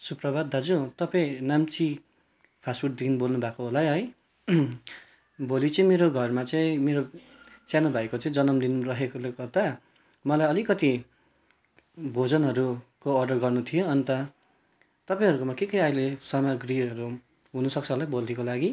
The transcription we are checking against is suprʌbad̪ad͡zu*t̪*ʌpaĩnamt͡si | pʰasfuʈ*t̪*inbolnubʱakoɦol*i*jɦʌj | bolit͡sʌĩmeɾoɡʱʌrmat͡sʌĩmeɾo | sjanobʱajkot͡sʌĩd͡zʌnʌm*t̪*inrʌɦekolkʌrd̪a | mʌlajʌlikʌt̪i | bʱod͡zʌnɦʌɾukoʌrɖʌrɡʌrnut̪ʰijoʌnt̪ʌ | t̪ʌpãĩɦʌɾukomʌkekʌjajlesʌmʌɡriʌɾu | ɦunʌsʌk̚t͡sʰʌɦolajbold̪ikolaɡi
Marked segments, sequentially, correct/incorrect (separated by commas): correct, incorrect, incorrect, incorrect